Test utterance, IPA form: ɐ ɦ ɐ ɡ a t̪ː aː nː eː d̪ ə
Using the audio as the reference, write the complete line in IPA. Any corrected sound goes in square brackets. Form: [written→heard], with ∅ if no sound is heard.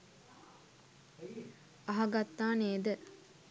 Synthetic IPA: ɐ ɦ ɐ ɡ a t̪ː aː [nː→n] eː d̪ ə